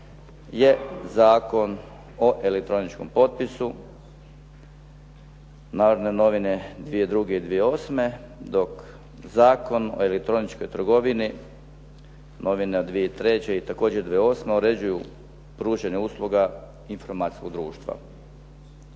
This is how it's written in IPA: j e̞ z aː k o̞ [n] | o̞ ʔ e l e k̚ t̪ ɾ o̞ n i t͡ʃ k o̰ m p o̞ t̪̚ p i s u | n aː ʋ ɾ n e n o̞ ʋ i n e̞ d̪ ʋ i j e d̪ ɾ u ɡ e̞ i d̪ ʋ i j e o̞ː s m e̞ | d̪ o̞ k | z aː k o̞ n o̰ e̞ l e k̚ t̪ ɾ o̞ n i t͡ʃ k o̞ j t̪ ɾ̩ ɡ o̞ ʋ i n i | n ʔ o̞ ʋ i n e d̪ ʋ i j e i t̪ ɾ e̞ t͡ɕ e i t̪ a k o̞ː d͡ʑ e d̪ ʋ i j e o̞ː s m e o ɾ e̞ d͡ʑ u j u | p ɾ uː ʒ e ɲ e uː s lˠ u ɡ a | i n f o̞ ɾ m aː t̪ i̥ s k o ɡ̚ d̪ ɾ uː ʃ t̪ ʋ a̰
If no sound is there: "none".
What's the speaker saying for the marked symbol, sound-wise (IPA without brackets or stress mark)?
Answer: n